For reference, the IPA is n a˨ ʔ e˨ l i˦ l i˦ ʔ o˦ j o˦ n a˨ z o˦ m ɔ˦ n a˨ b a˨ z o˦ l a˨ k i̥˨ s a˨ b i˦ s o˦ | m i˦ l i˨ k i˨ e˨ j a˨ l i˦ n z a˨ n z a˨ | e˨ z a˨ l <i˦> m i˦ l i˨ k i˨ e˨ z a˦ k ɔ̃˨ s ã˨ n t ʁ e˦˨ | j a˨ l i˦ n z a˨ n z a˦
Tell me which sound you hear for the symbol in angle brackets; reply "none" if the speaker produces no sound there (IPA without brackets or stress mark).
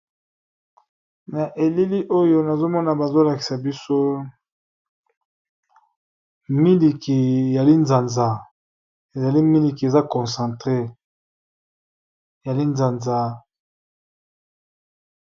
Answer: i˦